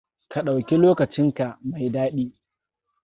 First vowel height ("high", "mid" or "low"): low